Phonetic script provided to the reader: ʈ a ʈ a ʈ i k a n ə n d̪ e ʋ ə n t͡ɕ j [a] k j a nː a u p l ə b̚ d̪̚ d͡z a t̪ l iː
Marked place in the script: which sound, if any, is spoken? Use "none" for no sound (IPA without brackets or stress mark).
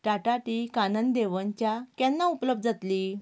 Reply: a